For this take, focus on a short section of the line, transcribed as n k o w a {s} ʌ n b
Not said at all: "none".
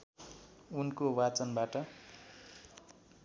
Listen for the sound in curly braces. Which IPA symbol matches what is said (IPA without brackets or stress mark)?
t͡s